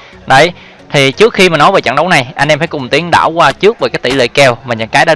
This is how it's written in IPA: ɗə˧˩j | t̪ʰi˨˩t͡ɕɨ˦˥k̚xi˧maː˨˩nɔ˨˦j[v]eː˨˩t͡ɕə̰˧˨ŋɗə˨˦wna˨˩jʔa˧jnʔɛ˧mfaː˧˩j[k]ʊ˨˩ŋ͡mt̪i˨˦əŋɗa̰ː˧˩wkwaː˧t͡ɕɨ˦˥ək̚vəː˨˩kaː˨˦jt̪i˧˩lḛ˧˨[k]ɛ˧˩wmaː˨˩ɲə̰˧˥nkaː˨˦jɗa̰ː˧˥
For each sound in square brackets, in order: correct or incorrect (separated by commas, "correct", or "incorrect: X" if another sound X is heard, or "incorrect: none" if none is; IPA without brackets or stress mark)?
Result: correct, correct, correct